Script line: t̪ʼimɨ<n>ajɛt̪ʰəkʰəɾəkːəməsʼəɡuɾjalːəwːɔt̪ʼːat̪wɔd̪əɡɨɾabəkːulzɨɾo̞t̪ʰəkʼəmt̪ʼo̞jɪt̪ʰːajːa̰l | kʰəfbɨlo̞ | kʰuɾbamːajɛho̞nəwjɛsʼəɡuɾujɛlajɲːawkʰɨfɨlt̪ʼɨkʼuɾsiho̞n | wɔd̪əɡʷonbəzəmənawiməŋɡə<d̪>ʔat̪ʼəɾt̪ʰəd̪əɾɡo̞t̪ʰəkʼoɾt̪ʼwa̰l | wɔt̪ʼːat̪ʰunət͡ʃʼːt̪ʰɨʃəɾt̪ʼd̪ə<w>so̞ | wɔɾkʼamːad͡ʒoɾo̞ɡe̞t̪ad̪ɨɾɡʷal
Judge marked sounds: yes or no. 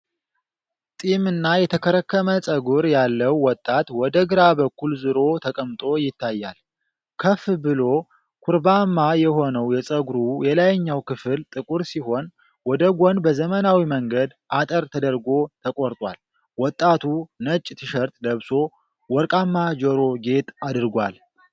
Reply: no, yes, no

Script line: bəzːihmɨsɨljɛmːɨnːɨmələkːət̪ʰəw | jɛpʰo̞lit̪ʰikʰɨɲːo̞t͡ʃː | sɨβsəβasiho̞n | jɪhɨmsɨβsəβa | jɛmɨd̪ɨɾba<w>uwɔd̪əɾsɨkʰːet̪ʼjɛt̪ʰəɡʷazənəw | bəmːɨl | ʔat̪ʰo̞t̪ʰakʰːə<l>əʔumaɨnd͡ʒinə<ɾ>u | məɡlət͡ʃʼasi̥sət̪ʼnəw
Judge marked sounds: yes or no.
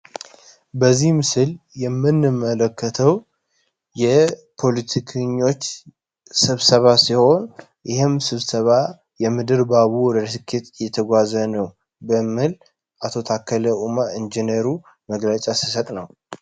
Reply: no, yes, yes

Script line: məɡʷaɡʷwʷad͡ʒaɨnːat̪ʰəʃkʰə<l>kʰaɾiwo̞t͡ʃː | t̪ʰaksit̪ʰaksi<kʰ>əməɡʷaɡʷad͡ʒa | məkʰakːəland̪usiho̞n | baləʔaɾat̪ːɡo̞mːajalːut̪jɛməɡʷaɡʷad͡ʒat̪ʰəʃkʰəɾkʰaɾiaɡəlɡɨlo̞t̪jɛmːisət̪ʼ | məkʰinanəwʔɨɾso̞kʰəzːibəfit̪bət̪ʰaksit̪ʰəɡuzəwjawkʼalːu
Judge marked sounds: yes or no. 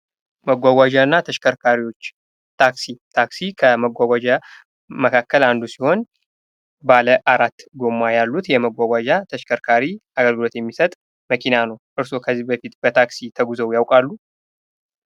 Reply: no, yes

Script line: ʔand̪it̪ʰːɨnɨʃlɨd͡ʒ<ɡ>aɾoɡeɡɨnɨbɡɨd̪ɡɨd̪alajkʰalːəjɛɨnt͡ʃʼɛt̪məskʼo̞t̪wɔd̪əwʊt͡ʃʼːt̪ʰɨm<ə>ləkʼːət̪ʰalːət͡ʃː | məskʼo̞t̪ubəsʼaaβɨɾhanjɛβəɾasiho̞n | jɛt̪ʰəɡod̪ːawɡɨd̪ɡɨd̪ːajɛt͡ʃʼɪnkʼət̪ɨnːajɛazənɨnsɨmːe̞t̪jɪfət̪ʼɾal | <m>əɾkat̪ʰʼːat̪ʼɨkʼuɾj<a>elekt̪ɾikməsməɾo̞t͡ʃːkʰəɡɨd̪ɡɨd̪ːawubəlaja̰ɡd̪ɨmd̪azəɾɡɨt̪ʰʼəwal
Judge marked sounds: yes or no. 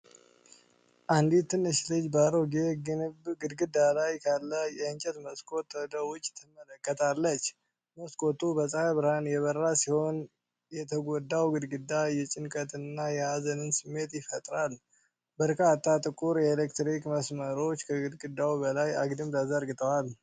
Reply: no, yes, no, no

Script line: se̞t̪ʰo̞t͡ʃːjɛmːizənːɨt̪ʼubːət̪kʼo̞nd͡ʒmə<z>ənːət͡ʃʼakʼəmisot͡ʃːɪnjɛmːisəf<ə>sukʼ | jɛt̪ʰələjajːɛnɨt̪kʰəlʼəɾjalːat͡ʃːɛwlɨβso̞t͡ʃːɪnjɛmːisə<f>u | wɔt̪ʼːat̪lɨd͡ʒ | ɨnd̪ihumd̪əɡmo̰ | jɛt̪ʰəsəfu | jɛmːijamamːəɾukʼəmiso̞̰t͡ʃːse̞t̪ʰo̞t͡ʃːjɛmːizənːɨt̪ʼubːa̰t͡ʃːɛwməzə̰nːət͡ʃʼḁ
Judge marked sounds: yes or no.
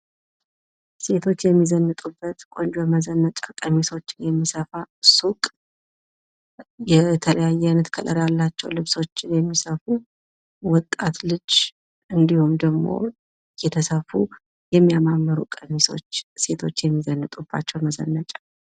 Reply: yes, no, yes

